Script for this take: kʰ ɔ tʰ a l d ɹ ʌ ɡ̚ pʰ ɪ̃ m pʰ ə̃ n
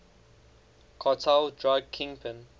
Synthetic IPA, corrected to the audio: kʰ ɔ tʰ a l d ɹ a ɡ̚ kʰ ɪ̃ ŋ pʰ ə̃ n